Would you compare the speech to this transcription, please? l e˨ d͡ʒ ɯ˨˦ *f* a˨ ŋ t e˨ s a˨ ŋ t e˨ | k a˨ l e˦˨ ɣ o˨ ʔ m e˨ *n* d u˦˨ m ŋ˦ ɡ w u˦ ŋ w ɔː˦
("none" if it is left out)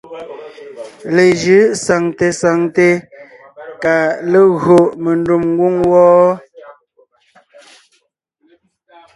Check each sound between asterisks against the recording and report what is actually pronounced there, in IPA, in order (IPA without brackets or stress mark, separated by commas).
s, n